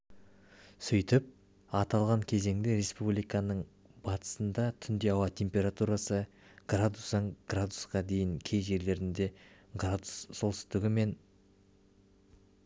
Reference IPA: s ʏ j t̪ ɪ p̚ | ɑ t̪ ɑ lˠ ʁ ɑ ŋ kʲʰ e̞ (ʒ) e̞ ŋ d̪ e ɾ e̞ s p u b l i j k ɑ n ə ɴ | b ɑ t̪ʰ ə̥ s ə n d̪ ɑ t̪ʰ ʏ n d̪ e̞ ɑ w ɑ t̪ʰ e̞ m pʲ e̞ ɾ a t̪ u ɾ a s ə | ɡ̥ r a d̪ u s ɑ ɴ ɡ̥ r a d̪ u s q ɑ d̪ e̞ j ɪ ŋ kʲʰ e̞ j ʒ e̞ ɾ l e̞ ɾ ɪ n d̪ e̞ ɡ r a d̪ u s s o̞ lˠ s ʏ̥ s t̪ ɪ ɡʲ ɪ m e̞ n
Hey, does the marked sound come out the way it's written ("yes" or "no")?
no